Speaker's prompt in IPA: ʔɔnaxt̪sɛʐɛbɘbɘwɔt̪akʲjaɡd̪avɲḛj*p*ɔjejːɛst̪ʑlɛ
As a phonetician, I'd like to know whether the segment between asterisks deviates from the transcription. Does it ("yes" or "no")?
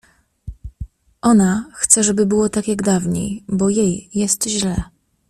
yes